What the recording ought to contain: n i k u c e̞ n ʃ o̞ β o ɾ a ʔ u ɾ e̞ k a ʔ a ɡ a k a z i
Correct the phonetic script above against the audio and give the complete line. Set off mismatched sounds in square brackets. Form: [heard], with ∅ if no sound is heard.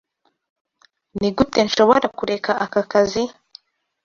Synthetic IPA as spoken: n i [ɡ] u [t] e̞ n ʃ o̞ β o ɾ a [k] u ɾ e̞ k a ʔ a [k] a k a z i

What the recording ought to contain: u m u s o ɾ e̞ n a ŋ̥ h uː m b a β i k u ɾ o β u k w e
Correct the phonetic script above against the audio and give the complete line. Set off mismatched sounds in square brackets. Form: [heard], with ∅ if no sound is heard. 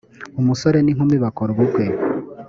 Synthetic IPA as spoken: u m u s o ɾ e̞ n [i] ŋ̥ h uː m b [i] β [a] k [o] ɾ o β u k w e

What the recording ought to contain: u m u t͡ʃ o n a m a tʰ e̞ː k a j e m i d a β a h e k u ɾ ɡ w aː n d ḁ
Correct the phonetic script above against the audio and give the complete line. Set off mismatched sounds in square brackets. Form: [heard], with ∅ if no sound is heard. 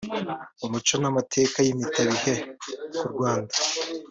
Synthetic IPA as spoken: u m u t͡ʃ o n a m a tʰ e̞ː k a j [i] m i [t] a β [i] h e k u ɾ ɡ w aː n d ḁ

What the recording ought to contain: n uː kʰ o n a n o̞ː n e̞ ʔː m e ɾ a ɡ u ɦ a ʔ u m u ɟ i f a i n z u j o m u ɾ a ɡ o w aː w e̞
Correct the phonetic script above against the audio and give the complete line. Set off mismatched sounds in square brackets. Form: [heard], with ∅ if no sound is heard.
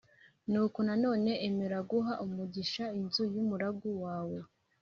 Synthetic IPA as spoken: n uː [k] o n a n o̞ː n e̞ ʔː m e ɾ a ɡ u ɦ a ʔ u m u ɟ i [ʃ] a i n z u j [u] m u ɾ a ɡ [u] w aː w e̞

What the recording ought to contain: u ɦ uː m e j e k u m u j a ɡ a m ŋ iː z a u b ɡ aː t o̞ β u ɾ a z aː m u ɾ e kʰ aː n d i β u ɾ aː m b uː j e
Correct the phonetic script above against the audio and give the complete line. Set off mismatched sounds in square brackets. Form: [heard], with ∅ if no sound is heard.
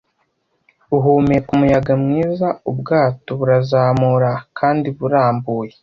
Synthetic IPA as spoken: u ɦ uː m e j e k u m u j a ɡ a m ŋ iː z a u b ɡ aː t o̞ β u ɾ a z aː m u ɾ [a] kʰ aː n d i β u ɾ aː m b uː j e

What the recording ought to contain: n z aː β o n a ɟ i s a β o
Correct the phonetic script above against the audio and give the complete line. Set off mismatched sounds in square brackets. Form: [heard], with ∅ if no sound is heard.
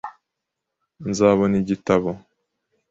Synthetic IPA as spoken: n z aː β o n [i] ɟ i [t] a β o

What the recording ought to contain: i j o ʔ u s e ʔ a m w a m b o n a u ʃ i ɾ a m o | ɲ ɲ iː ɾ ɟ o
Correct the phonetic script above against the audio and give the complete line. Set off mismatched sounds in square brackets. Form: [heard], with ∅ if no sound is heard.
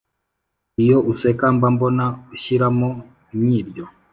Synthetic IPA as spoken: i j o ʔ u s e [k] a m [b] a m b o n a u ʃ i ɾ a m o | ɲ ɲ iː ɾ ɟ o

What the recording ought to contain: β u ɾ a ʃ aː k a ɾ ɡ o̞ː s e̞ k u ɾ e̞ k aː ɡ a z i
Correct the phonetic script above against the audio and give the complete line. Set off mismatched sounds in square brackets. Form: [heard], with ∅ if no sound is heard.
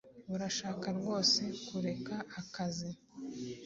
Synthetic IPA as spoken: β u ɾ a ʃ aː k a ɾ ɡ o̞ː s e̞ k u ɾ e̞ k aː [k] a z i

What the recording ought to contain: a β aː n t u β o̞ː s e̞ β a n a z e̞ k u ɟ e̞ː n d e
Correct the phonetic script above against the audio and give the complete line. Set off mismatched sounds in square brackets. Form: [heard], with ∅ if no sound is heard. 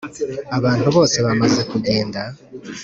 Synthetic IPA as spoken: a β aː n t u β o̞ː s e̞ β a [m] a z e̞ k u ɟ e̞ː n d [a]

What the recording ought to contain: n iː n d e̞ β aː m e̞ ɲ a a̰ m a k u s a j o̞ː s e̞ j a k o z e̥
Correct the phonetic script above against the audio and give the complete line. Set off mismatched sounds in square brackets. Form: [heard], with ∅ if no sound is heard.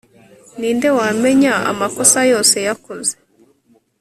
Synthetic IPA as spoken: n iː n d e̞ [w] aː m e̞ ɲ a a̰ m a k [o] s a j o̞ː s e̞ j a k o z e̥

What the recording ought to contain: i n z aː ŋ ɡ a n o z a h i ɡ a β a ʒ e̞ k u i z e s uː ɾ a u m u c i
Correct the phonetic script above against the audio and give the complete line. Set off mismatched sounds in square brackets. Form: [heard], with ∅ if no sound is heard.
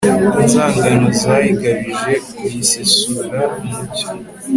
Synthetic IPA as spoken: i n z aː ŋ ɡ a n o z a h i ɡ a β [i] ʒ e̞ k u i [s] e s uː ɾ a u m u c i

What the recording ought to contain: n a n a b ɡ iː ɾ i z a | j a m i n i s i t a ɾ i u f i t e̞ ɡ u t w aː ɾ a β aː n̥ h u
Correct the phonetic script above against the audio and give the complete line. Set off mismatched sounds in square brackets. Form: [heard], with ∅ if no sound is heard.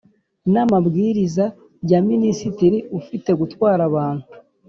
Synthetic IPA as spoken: n a [m] a b ɡ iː ɾ i z a | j a m i n i s i t [i] ɾ i u f i t e̞ ɡ u t w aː ɾ a β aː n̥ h u

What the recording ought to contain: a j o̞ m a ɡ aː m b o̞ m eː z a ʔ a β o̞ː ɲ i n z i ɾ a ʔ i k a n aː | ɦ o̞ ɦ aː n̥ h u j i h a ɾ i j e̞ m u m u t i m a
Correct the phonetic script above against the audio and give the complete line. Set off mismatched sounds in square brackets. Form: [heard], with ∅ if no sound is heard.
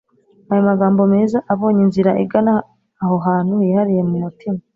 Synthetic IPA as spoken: a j o̞ m a ɡ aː m b o̞ m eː z a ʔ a β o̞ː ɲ i n z i ɾ a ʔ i [ɡ] a n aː | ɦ o̞ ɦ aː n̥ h u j i h a ɾ i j e̞ m u m u t i m a

